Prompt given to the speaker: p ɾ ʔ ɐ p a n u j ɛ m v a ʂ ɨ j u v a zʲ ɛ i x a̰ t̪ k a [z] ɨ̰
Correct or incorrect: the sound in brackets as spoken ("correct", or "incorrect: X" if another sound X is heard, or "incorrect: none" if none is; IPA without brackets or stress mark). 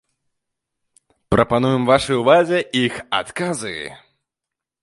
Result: correct